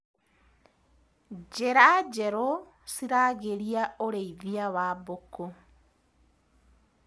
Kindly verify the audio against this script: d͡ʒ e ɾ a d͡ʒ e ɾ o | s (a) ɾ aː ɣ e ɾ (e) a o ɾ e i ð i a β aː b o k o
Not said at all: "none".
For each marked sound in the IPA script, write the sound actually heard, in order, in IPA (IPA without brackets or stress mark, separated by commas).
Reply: i, i